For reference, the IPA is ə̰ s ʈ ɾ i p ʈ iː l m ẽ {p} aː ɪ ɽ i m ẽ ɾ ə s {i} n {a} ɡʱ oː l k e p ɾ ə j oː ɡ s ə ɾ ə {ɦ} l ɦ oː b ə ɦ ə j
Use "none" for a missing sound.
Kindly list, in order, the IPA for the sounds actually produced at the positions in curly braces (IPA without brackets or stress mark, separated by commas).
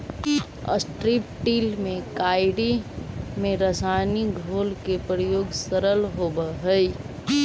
k, a, i, none